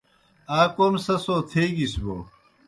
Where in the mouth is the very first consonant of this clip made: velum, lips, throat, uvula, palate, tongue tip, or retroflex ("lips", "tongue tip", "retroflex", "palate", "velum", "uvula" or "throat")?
velum